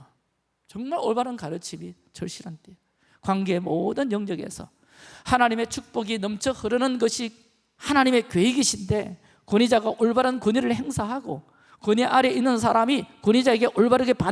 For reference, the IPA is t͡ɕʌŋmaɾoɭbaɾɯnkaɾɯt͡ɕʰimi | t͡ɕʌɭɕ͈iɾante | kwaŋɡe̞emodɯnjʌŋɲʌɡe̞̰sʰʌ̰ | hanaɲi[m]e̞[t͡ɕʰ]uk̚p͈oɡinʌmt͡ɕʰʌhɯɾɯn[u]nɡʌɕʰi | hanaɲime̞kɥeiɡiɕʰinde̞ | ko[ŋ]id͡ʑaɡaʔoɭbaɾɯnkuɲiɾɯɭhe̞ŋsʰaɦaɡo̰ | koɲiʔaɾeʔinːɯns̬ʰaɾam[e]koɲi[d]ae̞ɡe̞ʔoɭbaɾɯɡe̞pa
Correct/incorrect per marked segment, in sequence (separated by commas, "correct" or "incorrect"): correct, correct, incorrect, incorrect, incorrect, incorrect